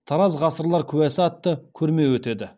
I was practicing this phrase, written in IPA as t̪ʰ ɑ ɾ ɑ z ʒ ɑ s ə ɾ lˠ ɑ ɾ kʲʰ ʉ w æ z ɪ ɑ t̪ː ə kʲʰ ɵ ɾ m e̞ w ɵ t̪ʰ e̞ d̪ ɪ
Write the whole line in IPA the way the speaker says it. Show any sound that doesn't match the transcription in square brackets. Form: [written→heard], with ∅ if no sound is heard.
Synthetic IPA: t̪ʰ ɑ ɾ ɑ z [ʒ→ʁ] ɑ s ə ɾ lˠ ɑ ɾ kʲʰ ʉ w æ [z→s] ɪ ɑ t̪ː ə kʲʰ ɵ ɾ m e̞ w ɵ [t̪ʰ→t̪] e̞ d̪ ɪ